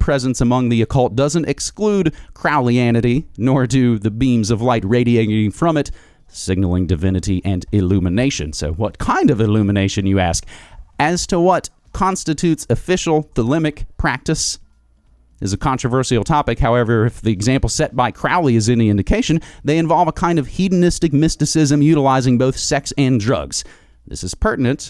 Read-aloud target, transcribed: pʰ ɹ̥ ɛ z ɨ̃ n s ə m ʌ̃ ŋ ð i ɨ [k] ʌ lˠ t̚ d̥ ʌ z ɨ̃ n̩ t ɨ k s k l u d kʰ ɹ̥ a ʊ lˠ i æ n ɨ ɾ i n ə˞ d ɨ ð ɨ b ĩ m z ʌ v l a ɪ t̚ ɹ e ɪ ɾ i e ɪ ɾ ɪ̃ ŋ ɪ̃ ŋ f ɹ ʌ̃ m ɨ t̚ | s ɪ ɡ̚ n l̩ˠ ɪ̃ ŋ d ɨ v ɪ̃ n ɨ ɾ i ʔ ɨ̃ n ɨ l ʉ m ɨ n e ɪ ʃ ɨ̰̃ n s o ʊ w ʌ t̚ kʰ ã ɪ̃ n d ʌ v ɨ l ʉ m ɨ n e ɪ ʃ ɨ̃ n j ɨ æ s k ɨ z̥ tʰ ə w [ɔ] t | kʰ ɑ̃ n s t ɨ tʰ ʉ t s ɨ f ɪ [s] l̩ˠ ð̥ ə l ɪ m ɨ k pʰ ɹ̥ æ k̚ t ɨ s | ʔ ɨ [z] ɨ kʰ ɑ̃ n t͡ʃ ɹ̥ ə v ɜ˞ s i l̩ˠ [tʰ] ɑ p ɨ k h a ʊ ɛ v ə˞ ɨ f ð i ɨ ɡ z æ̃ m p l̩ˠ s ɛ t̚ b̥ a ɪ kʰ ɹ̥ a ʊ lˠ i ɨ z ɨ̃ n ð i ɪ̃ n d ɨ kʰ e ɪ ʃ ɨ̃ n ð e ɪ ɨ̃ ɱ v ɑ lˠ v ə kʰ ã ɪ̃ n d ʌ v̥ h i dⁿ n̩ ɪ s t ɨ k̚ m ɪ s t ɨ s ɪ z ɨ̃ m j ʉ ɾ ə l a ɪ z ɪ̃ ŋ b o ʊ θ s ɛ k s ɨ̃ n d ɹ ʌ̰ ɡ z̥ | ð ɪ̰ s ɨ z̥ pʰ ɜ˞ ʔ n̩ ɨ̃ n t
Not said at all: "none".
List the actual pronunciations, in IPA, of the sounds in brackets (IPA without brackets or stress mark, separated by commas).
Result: kʰ, ʌ, ʃ, z, tʰ